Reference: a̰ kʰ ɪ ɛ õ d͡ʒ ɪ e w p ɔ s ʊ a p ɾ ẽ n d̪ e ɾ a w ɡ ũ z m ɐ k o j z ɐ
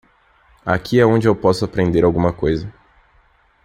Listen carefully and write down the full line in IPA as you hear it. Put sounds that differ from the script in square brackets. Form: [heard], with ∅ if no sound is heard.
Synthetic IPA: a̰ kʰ [i] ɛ õ d͡ʒ ɪ e w p ɔ s ʊ a p ɾ ẽ n d̪ e ɾ a w ɡ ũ [∅] m ɐ k o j z ɐ